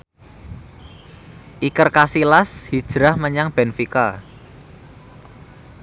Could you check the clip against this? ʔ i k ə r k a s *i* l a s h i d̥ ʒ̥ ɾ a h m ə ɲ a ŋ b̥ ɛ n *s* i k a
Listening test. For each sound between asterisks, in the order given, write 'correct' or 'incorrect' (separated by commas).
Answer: correct, incorrect